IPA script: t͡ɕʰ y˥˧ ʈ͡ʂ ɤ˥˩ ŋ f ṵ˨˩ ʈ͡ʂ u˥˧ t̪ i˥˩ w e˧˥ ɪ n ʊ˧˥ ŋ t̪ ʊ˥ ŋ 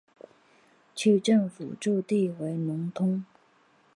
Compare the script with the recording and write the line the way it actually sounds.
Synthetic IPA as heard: t͡ɕʰ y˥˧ ʈ͡ʂ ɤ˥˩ ŋ f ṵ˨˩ ʈ͡ʂ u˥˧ t̪ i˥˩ w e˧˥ ɪ n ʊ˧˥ ŋ t̪ʰ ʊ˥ ŋ

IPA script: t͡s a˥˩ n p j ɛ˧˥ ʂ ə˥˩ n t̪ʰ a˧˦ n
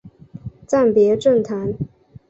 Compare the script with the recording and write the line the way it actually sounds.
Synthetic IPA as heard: t͡s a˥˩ n p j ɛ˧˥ ʈ͡ʂ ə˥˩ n t̪ʰ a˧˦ n

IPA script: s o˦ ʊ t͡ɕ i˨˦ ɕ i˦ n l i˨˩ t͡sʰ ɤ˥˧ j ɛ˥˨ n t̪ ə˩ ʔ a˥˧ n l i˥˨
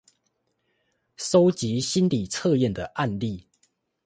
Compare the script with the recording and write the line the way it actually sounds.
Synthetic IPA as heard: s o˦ ʊ t͡ɕ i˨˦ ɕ i˦ n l i˨˩ t͡sʰ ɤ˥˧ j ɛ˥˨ n d̪ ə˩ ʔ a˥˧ n l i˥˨

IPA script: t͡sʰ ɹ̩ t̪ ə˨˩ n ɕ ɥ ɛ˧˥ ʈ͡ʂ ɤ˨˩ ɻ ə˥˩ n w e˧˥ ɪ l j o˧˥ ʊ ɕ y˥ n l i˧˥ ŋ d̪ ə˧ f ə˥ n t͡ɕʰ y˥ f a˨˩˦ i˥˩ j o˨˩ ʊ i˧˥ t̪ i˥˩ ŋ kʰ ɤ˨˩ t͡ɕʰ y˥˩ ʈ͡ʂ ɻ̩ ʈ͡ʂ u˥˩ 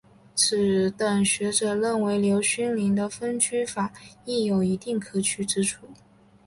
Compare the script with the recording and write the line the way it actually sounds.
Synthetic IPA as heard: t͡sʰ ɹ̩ t̪ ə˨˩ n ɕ ɥ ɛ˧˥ ʈ͡ʂ ɤ˨˩ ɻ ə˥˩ n w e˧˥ ɪ l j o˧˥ ʊ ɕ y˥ n l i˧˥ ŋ d̪ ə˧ f ə˥ n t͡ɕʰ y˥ f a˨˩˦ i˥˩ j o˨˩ ʊ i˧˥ t̪ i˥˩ ŋ kʰ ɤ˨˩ t͡ɕʰ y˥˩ ʈ͡ʂ ɻ̩ ʈ͡ʂʰ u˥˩

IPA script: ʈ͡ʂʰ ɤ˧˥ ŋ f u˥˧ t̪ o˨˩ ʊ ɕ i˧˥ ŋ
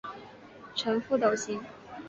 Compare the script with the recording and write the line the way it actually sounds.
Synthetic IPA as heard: ʈ͡ʂʰ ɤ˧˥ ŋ f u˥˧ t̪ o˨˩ ʊ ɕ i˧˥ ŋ

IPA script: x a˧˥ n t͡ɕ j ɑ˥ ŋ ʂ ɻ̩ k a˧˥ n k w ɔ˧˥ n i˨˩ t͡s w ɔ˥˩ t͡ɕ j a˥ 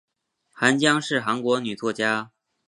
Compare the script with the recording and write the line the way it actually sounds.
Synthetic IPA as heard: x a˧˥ n t͡ɕ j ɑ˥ ŋ ʂ ɻ̩ x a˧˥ n k w ɔ˧˥ n y˨˩ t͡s w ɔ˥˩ t͡ɕ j a˥

